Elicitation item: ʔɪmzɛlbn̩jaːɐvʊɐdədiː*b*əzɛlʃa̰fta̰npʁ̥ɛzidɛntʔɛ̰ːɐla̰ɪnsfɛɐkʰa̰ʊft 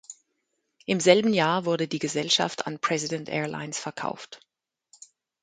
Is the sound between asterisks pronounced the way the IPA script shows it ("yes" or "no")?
no